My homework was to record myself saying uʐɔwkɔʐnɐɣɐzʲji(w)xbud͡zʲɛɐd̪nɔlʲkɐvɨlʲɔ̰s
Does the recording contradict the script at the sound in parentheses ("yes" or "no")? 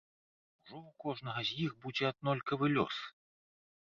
yes